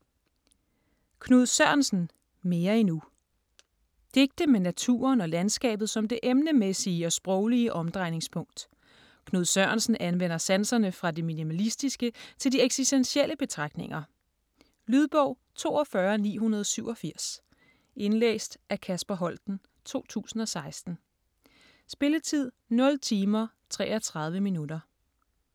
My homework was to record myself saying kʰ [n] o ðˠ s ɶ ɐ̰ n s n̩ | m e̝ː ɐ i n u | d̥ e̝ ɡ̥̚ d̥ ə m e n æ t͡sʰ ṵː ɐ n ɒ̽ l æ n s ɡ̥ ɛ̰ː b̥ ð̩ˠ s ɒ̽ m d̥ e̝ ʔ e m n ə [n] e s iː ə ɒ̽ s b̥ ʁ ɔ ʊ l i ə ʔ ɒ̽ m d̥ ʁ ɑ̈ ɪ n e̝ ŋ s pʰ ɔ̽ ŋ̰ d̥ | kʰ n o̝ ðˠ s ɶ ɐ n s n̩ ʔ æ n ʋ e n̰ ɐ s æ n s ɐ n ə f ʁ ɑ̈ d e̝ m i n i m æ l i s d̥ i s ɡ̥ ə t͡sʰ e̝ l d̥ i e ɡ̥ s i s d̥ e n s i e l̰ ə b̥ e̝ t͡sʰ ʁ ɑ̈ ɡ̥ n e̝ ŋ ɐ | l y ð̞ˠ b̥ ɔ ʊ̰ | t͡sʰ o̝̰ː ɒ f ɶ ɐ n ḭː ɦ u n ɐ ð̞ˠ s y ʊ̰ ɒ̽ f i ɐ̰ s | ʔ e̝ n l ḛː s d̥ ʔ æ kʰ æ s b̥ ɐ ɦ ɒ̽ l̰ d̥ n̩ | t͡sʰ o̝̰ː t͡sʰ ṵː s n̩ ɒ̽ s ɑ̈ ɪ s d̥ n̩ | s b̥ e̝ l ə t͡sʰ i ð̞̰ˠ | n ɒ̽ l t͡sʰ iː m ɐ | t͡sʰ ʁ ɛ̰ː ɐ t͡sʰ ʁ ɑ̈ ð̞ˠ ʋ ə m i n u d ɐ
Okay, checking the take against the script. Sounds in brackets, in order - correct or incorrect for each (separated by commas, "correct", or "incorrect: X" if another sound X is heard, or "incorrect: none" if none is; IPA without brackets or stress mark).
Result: correct, incorrect: m